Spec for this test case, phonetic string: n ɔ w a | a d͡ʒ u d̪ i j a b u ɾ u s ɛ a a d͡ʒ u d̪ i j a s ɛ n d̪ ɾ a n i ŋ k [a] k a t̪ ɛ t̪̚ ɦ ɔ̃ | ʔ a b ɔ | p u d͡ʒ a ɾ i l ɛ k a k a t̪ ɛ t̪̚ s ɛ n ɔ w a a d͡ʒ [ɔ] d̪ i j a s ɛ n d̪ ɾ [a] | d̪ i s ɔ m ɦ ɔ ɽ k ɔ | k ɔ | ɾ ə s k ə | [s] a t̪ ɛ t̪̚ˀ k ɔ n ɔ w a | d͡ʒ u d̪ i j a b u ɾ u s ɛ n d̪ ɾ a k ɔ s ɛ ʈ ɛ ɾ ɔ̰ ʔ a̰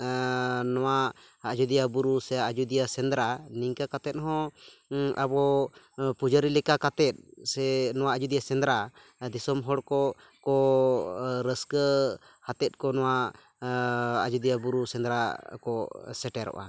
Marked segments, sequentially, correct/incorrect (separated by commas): correct, incorrect, correct, incorrect